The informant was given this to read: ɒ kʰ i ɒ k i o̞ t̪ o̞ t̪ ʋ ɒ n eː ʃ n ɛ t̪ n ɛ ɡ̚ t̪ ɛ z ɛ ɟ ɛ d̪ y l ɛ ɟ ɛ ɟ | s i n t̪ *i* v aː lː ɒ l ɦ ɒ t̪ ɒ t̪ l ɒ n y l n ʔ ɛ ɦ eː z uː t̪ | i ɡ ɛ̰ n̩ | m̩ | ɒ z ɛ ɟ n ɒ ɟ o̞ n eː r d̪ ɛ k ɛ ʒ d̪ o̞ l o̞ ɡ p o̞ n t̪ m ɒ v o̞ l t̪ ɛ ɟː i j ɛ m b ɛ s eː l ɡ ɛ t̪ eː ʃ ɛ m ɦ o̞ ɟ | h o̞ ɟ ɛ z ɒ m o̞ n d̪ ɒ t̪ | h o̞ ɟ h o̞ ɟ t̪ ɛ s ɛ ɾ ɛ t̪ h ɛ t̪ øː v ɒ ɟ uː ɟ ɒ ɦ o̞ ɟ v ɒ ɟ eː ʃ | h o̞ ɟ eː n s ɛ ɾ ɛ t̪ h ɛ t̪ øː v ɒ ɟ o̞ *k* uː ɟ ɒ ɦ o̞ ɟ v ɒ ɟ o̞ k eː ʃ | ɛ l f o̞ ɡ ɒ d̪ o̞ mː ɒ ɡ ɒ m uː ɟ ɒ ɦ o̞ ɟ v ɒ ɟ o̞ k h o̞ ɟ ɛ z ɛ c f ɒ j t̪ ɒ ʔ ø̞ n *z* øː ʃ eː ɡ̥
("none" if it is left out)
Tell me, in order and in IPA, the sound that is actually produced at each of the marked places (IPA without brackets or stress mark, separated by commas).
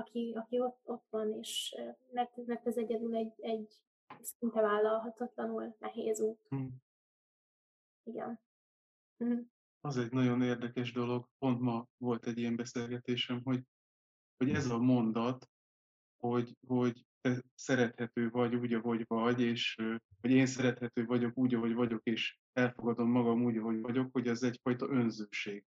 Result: ɛ, k, z